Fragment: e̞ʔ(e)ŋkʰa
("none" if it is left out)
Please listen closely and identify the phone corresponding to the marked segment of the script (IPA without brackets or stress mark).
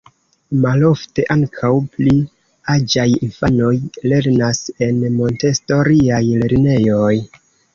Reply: a